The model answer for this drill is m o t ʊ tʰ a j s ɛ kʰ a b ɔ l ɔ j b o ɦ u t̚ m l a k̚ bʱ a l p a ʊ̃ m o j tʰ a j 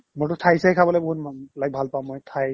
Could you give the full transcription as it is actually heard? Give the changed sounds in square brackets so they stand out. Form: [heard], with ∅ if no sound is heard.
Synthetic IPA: m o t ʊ tʰ a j s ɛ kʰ a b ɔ l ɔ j b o ɦ u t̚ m l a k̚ bʱ a l p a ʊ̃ m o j tʰ a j